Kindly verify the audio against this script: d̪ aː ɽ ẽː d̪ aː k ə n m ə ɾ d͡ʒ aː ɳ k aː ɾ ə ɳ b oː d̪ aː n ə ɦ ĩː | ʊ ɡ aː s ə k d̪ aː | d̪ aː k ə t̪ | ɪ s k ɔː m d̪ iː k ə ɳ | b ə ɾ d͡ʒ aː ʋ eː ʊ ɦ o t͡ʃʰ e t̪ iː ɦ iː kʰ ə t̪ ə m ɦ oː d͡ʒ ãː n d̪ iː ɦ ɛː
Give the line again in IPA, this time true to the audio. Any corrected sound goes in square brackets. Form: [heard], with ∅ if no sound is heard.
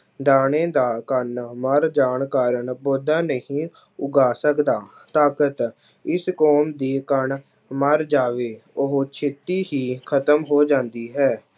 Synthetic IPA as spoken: d̪ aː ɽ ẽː d̪ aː k ə n m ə ɾ d͡ʒ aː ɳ k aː ɾ ə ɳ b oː d̪ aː n ə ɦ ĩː | ʊ ɡ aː s ə k d̪ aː | [t̪] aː k ə t̪ | ɪ s k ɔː m d̪ iː k ə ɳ | [m] ə ɾ d͡ʒ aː ʋ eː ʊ ɦ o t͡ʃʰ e t̪ iː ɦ iː kʰ ə t̪ ə m ɦ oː d͡ʒ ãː n d̪ iː ɦ ɛː